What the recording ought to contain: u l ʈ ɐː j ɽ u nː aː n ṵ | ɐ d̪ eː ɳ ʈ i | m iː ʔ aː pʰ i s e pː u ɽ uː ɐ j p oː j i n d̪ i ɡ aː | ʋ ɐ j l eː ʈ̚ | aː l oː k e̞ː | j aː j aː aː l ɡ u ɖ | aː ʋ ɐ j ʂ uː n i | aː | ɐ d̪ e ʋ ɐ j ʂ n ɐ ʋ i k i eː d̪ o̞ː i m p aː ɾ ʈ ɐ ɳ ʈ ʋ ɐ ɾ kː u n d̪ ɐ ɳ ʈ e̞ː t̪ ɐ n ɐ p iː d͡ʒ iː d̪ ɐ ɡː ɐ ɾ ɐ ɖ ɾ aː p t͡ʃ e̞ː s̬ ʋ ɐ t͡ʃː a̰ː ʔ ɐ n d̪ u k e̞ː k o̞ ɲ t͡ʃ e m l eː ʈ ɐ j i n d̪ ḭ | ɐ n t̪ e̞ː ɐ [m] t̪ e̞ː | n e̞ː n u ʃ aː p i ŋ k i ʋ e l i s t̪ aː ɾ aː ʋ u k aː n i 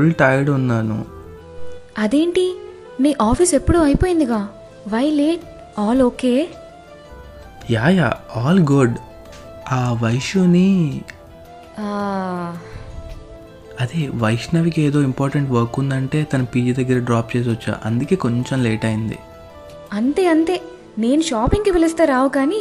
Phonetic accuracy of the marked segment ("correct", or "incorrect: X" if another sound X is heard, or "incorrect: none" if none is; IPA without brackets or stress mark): incorrect: n